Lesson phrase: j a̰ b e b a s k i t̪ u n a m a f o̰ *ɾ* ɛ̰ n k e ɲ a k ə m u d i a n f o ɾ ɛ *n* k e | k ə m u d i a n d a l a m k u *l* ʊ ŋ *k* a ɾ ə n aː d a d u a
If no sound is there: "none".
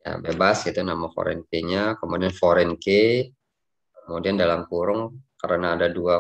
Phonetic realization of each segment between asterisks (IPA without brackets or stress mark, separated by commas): ɾ, n, ɾ, k